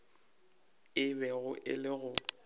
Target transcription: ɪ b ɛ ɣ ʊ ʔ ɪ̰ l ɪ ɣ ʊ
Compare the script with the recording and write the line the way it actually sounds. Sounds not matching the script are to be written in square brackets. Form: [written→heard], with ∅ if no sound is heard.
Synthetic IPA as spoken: ɪ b ɛ ɣ ʊ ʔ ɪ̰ l ɪ ɣ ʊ